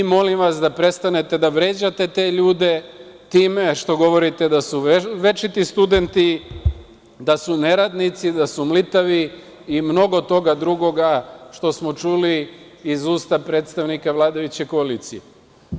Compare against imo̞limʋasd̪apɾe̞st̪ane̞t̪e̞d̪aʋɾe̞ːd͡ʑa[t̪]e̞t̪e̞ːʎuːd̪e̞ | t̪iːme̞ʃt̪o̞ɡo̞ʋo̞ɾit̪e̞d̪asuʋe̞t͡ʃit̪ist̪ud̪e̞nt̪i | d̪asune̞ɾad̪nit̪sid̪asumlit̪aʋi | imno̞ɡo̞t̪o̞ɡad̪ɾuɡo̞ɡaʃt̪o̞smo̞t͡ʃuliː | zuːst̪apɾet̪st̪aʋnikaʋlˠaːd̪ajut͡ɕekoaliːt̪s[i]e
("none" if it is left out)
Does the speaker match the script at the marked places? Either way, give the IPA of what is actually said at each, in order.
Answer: t̪, i

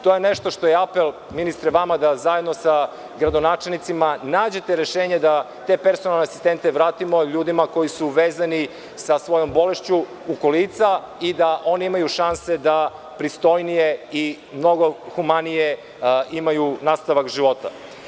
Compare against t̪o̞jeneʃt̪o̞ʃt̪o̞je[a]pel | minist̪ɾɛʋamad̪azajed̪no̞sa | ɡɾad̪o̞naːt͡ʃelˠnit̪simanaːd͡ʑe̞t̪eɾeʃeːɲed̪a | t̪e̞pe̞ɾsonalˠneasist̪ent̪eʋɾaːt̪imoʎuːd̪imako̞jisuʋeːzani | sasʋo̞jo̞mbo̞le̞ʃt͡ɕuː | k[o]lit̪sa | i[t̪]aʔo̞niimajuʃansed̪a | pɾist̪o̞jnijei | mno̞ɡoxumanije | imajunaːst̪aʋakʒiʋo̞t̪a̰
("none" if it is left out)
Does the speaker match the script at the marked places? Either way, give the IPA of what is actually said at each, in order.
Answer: a, o, d̪

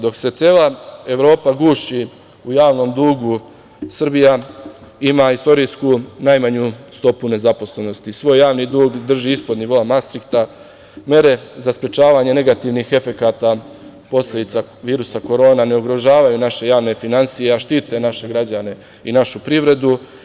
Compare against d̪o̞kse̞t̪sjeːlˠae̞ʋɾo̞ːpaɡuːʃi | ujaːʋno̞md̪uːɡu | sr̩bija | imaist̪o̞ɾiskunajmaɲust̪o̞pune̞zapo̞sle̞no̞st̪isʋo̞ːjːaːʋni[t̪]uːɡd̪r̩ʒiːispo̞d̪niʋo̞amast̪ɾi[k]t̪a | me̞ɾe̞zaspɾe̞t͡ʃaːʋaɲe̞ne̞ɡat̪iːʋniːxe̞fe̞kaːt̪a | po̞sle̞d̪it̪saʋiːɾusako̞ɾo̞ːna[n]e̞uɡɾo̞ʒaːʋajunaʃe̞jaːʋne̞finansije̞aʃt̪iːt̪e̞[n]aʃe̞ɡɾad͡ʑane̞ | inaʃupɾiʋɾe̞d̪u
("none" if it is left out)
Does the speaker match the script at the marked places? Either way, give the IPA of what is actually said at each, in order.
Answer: d̪, k, n, n

